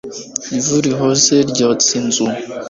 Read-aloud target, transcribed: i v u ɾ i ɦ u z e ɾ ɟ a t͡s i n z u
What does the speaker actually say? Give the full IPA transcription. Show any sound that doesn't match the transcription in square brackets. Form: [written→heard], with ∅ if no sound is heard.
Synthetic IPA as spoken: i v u ɾ i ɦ [u→o] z e ɾ ɟ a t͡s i n z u